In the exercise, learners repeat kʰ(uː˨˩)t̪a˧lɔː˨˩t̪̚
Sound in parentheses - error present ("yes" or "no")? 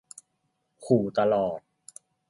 no